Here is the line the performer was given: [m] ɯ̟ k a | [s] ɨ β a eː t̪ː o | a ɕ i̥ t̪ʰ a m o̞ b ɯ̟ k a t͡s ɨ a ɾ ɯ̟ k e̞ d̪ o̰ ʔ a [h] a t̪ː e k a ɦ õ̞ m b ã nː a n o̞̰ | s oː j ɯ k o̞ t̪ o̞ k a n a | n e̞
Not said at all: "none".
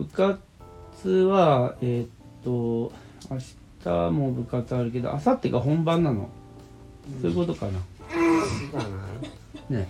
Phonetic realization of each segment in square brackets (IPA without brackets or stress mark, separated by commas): b, t͡s, s